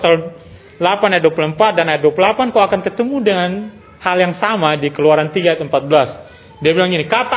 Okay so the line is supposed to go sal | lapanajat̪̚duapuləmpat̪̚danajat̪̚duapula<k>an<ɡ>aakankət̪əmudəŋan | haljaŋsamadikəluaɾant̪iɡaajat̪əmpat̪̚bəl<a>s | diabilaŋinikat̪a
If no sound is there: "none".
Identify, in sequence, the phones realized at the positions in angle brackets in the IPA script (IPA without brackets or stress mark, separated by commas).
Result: p, k, a